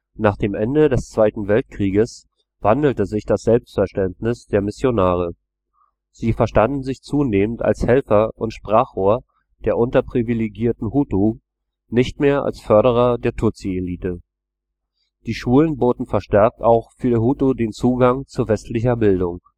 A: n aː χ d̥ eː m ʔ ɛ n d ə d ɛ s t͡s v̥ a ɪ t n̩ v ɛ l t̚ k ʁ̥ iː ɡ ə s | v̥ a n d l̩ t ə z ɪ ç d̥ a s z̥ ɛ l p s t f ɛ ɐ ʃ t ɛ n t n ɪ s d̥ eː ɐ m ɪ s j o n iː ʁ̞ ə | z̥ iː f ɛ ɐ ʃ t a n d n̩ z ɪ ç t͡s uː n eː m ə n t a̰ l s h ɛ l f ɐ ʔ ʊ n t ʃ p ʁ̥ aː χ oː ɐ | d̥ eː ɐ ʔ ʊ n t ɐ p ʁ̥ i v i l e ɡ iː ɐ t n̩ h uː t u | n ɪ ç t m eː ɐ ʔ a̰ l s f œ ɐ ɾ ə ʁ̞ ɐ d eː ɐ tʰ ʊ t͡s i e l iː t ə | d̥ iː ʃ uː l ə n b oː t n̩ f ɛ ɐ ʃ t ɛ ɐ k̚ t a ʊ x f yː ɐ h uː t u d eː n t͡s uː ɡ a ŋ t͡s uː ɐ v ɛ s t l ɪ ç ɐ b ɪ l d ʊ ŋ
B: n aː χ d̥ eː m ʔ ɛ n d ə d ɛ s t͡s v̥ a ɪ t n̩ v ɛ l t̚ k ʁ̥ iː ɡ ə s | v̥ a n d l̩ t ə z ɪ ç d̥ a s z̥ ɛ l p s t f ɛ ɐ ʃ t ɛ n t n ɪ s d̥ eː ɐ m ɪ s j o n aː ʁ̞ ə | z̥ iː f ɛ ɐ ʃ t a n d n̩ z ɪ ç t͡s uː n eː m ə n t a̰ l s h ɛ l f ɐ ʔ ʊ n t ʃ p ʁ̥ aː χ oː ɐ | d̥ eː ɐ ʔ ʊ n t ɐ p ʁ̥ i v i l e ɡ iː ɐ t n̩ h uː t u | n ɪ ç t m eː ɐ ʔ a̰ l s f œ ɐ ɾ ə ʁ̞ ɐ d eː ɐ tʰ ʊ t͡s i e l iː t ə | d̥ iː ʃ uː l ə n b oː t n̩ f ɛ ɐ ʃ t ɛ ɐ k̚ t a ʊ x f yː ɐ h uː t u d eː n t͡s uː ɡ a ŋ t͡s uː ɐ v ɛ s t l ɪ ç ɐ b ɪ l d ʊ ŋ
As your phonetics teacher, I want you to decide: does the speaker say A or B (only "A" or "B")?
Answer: B